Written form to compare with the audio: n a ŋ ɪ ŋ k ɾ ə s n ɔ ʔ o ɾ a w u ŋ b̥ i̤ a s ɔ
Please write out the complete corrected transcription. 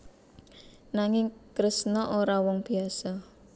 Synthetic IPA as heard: n a ŋ ɪ ŋ k ɾ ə s n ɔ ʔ o ɾ a w ɔ ŋ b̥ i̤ a s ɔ